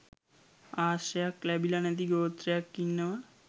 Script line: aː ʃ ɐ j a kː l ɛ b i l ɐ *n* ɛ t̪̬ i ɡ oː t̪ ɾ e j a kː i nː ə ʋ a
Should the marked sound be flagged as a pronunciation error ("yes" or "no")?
no